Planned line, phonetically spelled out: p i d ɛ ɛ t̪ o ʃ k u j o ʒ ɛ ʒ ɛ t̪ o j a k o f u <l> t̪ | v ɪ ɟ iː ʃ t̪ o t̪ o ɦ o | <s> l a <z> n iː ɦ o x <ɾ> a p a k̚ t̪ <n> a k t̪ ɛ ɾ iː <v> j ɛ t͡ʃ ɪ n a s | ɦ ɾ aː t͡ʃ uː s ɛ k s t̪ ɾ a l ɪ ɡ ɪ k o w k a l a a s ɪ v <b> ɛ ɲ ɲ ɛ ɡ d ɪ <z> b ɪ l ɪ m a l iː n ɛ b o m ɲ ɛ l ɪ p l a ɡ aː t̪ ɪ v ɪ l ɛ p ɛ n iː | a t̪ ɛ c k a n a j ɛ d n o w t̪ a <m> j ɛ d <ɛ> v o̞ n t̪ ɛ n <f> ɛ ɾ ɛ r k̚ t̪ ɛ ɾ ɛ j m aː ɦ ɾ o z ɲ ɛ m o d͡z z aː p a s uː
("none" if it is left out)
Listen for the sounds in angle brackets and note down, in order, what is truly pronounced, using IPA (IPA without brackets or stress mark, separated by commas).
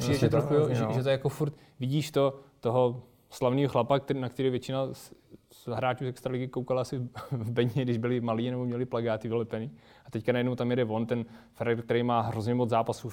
ɾ, s, v, l, n, v, b, ʒ, m, ɛ, f